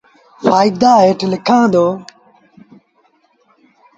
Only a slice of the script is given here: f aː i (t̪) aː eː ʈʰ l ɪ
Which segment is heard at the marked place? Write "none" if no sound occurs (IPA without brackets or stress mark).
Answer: d̪